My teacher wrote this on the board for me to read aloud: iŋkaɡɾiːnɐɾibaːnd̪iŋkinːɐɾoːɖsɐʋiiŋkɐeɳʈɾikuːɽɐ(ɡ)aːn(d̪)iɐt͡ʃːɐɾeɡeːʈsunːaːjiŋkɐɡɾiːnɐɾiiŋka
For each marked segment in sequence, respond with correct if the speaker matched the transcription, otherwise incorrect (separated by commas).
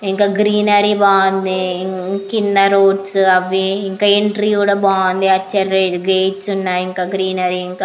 incorrect, correct